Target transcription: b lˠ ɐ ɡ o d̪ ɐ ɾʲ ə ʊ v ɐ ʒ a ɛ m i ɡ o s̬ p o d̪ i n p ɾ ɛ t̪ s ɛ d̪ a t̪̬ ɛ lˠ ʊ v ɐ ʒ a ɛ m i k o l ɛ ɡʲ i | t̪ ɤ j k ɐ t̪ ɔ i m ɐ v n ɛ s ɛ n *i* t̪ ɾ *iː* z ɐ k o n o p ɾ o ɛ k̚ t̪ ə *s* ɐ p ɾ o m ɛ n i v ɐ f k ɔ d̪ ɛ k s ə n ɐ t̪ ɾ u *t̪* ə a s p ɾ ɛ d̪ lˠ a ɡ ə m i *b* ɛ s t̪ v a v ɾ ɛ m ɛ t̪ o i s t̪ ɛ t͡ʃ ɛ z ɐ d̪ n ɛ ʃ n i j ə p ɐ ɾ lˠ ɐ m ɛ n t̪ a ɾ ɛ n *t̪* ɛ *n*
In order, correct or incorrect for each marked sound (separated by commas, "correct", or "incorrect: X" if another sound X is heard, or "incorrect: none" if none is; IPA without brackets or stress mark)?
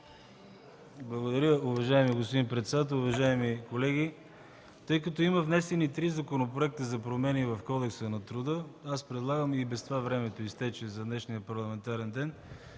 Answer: correct, incorrect: i, incorrect: z, incorrect: d̪, correct, incorrect: d̪, correct